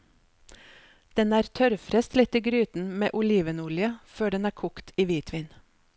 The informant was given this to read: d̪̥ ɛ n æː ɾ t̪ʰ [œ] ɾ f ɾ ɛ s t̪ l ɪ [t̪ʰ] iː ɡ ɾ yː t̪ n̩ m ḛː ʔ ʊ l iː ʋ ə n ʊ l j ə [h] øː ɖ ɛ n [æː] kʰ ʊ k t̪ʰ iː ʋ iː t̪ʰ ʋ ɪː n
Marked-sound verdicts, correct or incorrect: correct, incorrect, incorrect, correct

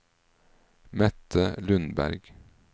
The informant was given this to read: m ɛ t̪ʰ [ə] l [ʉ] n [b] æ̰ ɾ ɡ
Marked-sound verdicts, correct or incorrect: correct, correct, correct

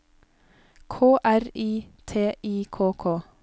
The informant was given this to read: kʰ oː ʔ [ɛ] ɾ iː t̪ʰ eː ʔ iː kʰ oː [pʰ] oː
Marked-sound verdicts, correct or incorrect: incorrect, incorrect

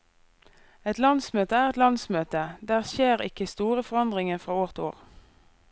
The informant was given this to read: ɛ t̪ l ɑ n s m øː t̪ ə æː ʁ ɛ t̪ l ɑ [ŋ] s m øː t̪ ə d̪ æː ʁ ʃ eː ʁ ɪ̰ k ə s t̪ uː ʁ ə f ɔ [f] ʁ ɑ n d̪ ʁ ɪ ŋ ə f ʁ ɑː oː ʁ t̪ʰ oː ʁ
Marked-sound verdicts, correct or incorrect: incorrect, incorrect

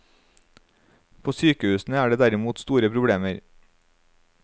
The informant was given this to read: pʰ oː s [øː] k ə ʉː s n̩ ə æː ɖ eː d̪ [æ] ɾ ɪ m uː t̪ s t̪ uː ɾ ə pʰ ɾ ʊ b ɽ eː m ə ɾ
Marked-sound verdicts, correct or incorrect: incorrect, correct

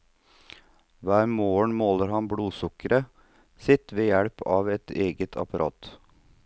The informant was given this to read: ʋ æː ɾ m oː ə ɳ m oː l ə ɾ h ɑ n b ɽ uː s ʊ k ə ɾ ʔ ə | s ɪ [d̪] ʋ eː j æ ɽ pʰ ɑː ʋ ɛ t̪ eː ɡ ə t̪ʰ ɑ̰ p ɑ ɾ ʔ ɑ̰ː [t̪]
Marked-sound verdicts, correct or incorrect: incorrect, correct

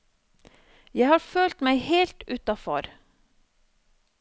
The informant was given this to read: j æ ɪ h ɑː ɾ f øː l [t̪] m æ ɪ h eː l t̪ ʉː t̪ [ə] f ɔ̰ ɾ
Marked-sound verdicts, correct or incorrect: correct, incorrect

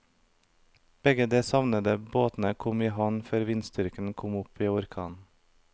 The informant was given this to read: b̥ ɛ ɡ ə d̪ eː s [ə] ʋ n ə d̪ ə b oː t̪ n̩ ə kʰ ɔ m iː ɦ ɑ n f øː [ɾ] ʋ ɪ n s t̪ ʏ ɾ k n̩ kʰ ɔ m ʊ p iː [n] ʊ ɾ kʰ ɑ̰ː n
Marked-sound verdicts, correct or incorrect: incorrect, correct, incorrect

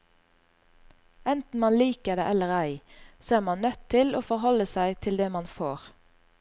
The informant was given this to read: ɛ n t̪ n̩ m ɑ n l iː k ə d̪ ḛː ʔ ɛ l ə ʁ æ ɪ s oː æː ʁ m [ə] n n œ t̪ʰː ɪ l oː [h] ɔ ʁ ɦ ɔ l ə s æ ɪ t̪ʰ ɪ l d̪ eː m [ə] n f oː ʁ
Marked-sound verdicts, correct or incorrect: incorrect, incorrect, incorrect

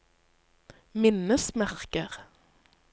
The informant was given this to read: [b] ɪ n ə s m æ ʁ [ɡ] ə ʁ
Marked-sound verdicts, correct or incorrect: incorrect, incorrect

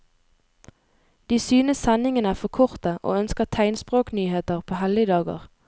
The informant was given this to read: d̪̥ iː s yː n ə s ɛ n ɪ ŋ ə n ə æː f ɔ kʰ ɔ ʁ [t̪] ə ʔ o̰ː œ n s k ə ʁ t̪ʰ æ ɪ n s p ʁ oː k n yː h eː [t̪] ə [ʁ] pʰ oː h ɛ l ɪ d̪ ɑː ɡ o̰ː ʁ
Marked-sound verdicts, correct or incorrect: correct, correct, correct

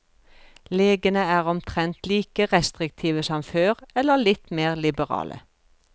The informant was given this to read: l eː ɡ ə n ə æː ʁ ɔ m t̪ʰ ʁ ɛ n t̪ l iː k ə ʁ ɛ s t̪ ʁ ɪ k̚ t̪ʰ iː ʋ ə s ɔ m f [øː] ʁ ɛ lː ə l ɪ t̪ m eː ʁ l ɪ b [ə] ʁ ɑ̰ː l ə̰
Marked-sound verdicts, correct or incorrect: correct, correct

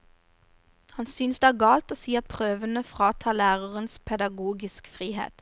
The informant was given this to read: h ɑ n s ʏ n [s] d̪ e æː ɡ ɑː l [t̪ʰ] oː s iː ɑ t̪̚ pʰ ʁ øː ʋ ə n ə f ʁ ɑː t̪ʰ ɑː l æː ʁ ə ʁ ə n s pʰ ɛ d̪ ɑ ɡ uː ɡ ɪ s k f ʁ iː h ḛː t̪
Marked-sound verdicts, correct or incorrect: correct, incorrect

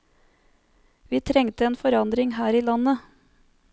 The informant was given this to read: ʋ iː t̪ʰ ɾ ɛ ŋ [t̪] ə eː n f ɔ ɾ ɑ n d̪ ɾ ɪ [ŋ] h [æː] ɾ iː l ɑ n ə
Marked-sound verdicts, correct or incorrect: correct, correct, correct

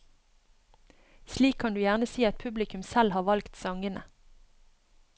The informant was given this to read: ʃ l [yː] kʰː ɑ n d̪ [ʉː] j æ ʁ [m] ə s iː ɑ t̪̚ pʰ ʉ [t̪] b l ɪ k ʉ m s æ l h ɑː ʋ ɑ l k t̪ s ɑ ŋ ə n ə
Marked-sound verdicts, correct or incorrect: incorrect, correct, incorrect, incorrect

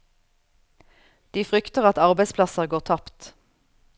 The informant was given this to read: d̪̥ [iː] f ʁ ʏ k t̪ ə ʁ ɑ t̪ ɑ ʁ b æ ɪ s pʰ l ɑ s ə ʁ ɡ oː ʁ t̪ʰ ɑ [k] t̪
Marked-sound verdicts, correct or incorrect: correct, incorrect

